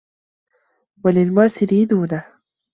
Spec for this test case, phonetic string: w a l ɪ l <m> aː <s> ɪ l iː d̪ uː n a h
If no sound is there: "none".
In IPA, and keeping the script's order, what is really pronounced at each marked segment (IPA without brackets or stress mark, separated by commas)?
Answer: m, s